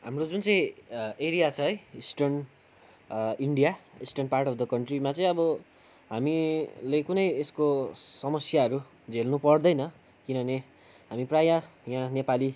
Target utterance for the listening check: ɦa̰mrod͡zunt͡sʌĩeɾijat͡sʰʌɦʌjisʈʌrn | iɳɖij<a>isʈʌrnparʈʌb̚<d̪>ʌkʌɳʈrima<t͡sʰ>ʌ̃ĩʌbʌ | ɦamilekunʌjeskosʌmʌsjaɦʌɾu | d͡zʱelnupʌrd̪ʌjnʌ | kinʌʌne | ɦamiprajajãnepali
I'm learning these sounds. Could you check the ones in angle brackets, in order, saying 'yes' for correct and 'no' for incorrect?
yes, yes, no

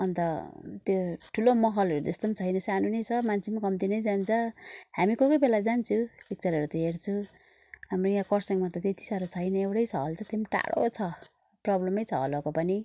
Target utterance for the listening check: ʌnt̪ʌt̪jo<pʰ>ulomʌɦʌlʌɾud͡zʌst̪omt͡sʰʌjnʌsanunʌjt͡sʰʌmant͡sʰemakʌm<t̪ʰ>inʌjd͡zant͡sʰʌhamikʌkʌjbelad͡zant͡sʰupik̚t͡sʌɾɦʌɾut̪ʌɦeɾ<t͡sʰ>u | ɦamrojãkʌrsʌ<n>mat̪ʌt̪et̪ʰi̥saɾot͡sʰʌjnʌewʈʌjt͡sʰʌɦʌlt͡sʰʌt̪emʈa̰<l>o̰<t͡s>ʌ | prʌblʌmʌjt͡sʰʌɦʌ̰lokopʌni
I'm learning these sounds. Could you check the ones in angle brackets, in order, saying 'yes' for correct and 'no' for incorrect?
no, no, yes, no, no, no

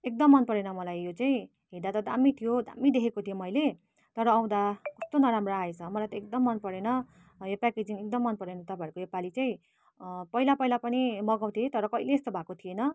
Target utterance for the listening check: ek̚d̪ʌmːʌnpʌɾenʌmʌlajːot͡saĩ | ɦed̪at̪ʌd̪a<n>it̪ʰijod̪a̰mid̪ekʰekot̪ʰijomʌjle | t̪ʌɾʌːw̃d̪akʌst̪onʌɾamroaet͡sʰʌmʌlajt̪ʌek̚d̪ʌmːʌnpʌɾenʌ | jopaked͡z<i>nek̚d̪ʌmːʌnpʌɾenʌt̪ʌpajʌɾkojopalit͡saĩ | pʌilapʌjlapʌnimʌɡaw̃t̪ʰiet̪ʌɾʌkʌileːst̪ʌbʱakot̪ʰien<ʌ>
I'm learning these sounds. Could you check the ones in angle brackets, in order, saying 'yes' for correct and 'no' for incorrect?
no, yes, yes

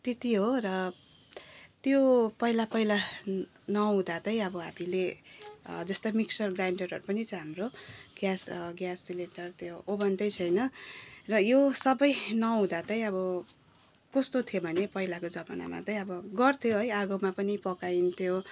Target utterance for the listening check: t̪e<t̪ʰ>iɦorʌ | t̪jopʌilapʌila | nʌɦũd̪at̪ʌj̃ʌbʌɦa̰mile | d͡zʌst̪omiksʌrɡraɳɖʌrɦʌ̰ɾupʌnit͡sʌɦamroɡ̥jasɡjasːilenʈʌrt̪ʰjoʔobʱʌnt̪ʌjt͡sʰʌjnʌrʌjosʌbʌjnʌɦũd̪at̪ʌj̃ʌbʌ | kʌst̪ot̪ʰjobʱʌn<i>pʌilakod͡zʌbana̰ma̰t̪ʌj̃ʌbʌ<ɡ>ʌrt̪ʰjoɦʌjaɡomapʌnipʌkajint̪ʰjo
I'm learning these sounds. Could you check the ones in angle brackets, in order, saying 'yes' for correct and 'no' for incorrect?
no, no, yes

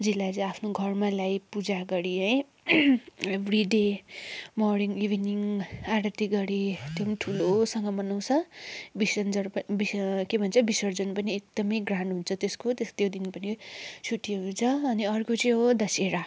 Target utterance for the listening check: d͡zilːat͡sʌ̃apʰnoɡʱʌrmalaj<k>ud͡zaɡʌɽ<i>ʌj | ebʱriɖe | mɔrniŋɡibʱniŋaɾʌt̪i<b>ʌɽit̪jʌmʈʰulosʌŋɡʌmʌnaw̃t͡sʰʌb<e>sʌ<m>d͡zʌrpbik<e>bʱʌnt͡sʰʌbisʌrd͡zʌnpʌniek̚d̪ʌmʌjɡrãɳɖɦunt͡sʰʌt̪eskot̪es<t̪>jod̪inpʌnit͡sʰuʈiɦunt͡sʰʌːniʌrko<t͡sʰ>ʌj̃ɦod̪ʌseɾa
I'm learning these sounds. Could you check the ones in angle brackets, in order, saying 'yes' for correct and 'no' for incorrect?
no, yes, no, no, no, yes, yes, no

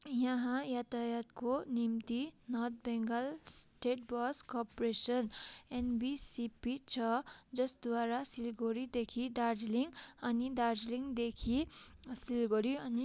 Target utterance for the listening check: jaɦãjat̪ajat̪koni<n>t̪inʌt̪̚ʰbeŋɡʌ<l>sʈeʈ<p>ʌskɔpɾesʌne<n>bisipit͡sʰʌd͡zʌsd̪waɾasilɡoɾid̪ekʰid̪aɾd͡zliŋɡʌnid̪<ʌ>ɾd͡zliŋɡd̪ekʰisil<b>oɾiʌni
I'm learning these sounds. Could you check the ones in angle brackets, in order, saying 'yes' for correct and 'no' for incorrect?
no, yes, no, yes, no, no

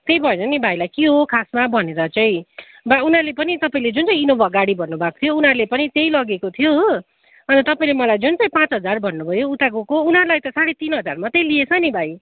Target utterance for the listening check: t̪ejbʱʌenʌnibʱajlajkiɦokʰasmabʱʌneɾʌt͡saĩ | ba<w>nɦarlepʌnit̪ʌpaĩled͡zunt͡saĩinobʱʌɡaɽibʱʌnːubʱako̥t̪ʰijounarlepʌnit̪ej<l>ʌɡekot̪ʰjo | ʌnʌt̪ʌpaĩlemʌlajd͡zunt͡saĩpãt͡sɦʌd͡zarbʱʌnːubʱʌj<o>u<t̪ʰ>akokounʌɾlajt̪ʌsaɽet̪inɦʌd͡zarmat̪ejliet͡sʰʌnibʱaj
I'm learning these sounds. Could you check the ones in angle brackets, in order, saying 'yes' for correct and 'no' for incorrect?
no, yes, yes, no

